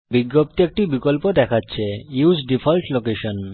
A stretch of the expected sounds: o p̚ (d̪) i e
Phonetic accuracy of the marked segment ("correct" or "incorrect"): incorrect